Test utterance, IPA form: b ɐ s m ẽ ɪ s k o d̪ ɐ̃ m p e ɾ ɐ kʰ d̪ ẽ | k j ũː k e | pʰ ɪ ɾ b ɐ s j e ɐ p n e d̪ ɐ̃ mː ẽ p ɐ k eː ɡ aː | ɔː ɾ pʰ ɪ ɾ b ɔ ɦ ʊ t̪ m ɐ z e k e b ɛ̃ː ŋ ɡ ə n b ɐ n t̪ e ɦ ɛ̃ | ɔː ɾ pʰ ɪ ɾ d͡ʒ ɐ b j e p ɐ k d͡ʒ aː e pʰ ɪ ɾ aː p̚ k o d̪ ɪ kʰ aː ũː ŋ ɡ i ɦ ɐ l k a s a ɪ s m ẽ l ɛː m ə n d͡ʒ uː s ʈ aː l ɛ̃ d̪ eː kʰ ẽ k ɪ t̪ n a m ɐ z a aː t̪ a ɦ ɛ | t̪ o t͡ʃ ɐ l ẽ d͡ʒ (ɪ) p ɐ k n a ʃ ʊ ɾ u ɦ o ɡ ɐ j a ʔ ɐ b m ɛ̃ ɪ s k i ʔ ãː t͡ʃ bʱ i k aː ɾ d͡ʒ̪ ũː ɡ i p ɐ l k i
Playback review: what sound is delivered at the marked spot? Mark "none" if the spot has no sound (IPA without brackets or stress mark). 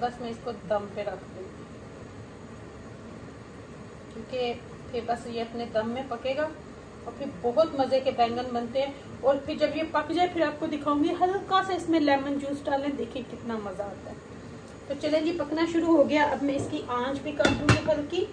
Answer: i